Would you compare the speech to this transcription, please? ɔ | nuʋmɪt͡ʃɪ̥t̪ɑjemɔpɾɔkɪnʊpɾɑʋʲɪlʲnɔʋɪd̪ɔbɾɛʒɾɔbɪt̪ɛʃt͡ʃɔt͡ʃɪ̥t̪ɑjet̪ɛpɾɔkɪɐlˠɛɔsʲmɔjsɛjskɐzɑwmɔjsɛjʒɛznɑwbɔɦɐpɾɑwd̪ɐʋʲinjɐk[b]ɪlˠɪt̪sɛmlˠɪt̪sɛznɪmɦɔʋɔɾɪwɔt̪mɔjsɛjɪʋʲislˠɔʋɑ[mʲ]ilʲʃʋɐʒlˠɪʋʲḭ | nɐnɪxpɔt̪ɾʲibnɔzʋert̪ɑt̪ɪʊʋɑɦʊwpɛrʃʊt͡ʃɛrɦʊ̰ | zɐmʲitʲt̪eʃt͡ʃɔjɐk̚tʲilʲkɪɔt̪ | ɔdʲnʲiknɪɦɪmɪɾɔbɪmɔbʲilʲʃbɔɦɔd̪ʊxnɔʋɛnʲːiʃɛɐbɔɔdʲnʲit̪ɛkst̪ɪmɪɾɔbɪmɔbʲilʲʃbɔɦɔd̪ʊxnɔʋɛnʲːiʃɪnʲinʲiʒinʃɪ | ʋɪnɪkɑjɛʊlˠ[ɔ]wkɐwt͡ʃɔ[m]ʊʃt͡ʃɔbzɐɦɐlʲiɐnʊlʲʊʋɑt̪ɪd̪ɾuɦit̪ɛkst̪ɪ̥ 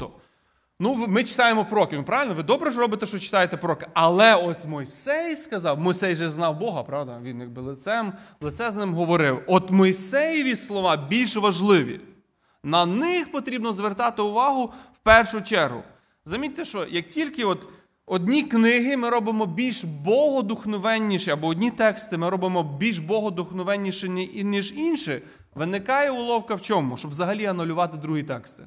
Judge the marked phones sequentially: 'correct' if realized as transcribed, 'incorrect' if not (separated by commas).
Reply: correct, incorrect, correct, correct